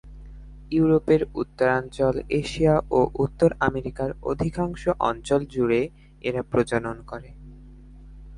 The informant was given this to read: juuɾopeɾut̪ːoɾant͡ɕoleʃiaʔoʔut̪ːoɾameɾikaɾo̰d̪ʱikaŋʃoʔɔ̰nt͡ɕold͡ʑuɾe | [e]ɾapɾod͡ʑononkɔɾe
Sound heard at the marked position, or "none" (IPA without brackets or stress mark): e